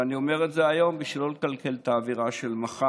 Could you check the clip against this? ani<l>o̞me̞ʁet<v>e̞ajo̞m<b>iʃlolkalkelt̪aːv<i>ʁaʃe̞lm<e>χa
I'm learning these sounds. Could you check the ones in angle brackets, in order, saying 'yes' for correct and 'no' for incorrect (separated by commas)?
no, no, yes, yes, no